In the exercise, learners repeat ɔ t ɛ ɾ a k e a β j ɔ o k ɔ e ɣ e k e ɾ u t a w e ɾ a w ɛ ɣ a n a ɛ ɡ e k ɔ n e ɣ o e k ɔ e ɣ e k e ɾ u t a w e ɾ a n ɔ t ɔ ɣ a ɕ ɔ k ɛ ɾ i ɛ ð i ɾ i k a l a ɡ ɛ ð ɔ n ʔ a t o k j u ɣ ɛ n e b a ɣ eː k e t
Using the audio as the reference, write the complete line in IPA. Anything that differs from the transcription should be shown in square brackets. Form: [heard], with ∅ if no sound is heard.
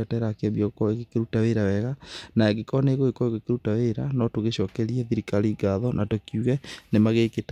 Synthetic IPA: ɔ t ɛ ɾ a k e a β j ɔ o k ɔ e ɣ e k e ɾ u t a w e ɾ a w ɛ ɣ a n a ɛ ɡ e k ɔ n e ɣ o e k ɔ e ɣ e k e ɾ u t a w e ɾ a n ɔ t [o] ɣ [e] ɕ ɔ k ɛ ɾ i ɛ ð i ɾ i k a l [i] ɡ [a] ð ɔ n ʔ a t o k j u ɣ ɛ n e [m] a ɣ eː k e t